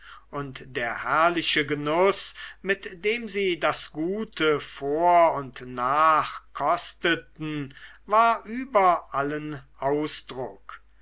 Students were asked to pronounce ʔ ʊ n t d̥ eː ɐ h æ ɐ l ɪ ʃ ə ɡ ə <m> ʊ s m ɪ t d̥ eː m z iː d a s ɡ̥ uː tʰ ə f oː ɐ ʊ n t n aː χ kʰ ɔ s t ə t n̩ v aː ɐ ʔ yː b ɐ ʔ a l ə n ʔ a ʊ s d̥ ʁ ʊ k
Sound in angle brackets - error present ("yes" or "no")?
yes